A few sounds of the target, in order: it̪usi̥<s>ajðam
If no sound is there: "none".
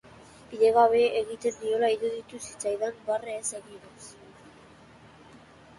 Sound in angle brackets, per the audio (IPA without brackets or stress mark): t͡s